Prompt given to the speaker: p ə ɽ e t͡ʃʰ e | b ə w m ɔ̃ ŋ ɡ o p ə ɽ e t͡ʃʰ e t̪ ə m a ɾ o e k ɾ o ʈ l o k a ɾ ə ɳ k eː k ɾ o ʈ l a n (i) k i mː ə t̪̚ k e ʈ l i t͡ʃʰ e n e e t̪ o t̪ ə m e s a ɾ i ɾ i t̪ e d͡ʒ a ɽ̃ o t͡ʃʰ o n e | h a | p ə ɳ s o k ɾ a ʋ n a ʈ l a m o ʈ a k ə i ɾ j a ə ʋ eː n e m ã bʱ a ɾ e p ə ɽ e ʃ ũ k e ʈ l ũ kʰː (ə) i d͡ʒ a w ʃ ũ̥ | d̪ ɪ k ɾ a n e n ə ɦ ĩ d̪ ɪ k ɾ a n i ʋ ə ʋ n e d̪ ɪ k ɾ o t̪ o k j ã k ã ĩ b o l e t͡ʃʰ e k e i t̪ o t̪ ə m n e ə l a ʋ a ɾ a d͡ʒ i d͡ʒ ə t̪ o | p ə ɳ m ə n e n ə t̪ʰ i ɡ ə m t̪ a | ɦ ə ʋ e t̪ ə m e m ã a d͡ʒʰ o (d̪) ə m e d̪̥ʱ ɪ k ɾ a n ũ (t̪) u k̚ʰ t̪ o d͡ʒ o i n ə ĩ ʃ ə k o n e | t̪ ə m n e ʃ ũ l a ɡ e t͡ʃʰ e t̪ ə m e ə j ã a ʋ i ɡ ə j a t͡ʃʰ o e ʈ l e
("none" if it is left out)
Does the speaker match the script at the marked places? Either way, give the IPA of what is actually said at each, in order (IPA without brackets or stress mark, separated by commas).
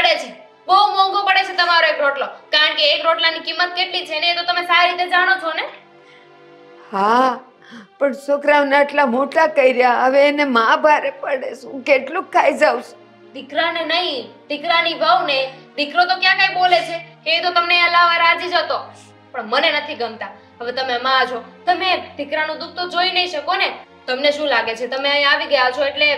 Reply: i, a, t̪, d̪